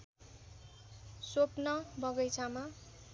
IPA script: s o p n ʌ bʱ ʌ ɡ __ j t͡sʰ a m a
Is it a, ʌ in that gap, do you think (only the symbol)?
ʌ